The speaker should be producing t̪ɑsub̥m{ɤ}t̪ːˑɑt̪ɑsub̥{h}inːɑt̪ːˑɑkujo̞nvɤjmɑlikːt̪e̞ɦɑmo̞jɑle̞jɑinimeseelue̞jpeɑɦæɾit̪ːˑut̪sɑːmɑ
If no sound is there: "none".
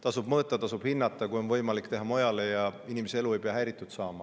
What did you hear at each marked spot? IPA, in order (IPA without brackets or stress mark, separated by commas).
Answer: ɤː, h